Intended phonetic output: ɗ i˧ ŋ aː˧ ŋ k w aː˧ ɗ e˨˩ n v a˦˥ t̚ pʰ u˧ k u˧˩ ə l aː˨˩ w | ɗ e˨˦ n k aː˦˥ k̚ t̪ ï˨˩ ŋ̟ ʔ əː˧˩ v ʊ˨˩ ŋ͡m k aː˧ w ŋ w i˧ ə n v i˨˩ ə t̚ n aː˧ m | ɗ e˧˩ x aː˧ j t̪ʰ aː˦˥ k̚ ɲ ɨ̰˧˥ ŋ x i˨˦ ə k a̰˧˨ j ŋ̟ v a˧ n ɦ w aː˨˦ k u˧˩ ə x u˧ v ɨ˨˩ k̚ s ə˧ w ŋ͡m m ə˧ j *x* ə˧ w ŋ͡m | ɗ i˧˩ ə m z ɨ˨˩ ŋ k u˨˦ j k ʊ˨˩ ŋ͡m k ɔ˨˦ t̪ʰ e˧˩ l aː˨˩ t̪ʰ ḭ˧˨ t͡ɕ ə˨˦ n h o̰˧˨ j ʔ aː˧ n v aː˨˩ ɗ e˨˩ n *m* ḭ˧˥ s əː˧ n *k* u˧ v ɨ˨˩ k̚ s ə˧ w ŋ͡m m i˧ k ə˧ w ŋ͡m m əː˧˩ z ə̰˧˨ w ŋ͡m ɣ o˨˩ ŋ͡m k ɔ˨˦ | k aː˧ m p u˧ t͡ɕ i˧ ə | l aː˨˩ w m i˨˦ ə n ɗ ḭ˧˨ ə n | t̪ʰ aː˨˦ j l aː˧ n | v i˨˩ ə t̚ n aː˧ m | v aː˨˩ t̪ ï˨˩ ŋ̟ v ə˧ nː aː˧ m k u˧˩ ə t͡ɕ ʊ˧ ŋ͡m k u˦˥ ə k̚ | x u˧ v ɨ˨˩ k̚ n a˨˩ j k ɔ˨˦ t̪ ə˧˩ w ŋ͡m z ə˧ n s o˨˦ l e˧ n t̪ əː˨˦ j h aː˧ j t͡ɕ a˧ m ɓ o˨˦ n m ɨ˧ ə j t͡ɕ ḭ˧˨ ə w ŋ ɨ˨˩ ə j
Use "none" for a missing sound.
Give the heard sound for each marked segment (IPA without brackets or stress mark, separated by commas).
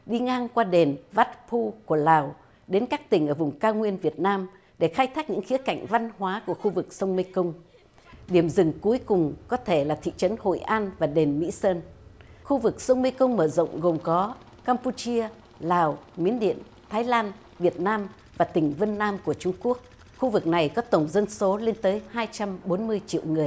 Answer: k, m, x